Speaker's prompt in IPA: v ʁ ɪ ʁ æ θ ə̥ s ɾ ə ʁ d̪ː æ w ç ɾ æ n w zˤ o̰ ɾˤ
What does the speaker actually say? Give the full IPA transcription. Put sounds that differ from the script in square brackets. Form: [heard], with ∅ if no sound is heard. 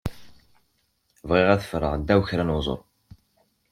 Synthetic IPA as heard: v ʁ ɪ ʁ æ θ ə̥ [f] ɾ ə ʁ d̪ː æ w ç ɾ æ n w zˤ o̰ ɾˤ